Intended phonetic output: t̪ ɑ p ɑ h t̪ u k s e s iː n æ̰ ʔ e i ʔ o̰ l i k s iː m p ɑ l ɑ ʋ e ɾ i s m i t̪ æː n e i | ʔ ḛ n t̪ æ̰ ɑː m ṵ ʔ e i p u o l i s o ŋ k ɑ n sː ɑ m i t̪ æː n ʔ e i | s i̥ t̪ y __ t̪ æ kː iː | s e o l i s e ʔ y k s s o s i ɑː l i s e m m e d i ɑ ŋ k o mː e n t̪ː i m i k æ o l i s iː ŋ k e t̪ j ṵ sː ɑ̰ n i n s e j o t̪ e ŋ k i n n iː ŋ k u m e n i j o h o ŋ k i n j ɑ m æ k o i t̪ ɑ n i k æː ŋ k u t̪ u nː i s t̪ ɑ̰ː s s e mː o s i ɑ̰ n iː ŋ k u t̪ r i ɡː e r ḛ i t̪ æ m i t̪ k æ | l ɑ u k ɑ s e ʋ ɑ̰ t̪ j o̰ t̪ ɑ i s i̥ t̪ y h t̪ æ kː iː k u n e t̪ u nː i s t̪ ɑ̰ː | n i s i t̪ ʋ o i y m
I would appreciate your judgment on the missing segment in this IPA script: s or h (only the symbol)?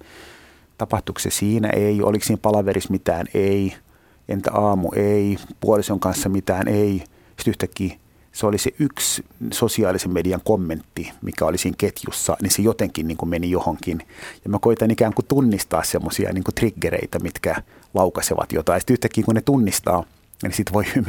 h